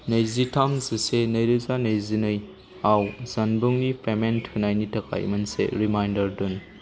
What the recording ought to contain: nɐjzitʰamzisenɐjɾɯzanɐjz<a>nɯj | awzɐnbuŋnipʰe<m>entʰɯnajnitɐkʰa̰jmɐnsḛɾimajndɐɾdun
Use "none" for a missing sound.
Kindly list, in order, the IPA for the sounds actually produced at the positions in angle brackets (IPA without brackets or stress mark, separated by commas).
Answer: i, m